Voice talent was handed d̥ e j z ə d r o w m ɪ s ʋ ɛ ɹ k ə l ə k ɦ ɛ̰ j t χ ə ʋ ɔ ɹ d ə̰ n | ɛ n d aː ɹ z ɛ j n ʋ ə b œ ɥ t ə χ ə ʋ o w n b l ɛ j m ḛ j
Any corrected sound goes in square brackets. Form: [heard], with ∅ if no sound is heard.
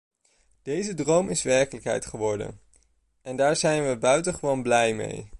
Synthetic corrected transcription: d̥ e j z ə d r o w m ɪ s ʋ ɛ ɹ k ə l ə k ɦ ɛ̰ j t χ ə ʋ ɔ ɹ d ə̰ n | ɛ n d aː ɹ z ɛ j n ʋ ə b œ ɥ t ə χ ə ʋ o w n b l ɛ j m ḛ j